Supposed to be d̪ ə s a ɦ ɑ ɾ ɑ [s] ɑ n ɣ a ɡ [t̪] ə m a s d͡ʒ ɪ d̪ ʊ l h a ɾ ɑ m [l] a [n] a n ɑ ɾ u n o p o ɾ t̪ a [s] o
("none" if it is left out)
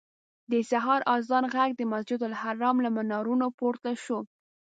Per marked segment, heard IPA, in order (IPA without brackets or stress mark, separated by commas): z, d̪, l, m, ʃ